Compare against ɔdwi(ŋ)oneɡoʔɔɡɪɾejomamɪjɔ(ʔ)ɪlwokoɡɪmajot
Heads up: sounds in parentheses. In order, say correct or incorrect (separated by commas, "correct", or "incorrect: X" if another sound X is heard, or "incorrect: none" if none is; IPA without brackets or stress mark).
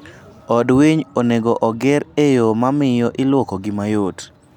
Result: incorrect: ɲ, correct